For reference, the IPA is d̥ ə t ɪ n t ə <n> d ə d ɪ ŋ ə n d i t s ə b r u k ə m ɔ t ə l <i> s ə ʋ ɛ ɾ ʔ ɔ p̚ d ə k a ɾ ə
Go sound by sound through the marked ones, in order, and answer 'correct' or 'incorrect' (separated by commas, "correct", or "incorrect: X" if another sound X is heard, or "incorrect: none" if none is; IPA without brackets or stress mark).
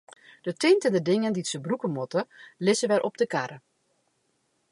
correct, incorrect: ɪ